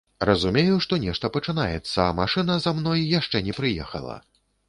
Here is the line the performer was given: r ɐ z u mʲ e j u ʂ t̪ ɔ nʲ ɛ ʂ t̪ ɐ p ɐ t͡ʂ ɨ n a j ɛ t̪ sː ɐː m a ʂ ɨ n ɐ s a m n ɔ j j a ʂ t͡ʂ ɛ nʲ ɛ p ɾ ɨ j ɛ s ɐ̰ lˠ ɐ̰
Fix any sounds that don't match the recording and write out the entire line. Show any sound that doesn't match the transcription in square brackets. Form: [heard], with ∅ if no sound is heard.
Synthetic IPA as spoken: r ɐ z u mʲ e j u ʂ t̪ ɔ nʲ ɛ ʂ t̪ ɐ p ɐ t͡ʂ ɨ n a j ɛ t̪ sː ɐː m a ʂ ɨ n ɐ [z] a m n ɔ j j a ʂ t͡ʂ ɛ nʲ ɛ p ɾ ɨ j ɛ [x] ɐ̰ lˠ ɐ̰